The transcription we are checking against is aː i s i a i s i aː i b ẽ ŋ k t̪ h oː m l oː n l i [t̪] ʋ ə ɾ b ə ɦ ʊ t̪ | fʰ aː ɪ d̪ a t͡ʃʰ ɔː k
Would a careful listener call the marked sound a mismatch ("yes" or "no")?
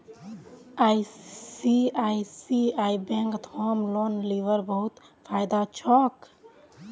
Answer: yes